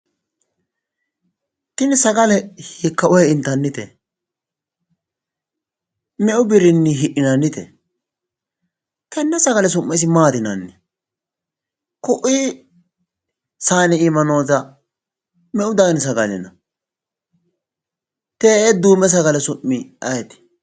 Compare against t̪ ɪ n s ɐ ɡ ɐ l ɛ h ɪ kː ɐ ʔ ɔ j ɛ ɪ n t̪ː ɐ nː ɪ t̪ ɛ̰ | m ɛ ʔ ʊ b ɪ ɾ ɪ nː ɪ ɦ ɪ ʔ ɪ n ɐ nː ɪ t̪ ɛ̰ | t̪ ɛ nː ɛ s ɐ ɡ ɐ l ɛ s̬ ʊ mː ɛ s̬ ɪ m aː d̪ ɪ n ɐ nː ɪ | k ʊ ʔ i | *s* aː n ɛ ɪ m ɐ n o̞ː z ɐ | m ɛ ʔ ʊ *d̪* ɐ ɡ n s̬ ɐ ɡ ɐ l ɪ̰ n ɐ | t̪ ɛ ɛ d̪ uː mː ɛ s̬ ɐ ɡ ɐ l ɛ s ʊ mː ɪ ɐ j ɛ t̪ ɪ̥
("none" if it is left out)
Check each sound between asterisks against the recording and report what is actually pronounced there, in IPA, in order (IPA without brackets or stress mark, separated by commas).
s, d̪